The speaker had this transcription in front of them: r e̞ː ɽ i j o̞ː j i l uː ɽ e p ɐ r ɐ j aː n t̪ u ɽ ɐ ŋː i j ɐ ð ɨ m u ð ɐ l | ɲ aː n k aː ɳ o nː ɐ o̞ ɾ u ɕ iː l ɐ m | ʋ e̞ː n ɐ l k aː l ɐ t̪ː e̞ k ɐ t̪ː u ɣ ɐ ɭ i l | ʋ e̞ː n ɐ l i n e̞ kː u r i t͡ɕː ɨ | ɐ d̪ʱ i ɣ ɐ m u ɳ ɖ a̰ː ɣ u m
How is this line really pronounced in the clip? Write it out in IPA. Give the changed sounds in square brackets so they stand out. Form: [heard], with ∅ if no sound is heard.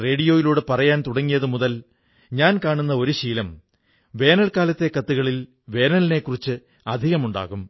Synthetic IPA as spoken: r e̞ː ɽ i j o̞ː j i l uː ɽ e p ɐ r ɐ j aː n t̪ u ɽ ɐ ŋː i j ɐ ð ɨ m u ð ɐ l | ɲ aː n k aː ɳ [u] nː ɐ o̞ ɾ u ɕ iː l ɐ m | ʋ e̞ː n ɐ l k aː l ɐ t̪ː e̞ k ɐ t̪ː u ɣ ɐ ɭ i l | ʋ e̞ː n ɐ l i n e̞ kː u r i t͡ɕː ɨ | ɐ d̪ʱ i ɣ ɐ m u ɳ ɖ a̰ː ɣ u m